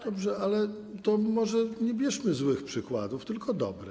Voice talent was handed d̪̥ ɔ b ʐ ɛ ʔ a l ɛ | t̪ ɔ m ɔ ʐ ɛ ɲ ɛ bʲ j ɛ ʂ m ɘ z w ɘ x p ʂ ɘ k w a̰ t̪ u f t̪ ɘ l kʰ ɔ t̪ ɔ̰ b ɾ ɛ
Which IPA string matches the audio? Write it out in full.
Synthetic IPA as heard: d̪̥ ɔ b ʐ ɛ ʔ a l ɛ | t̪ ɔ m ɔ ʐ ɛ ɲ ɛ bʲ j ɛ ʂ m ɘ z w ɘ x p ʂ ɘ k w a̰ d̪ u f t̪ ɘ l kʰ ɔ d̪ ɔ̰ b ɾ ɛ